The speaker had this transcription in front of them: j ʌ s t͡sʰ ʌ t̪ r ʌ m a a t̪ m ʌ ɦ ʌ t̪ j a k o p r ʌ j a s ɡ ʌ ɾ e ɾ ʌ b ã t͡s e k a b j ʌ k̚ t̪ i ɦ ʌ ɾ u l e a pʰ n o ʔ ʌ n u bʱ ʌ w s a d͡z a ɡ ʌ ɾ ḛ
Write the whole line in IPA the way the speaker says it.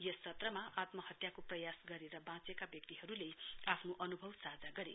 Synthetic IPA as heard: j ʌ s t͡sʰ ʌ t̪ r ʌ m a a t̪ m ʌ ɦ ʌ t̪ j a k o p r ʌ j a s ɡ ʌ ɾ e ɾ ʌ b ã t͡s e k a b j ʌ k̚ t̪ i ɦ ʌ ɾ u l e a pʰ n o ʔ ʌ n u bʱ ʌ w s a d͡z a ɡ ʌ ɾ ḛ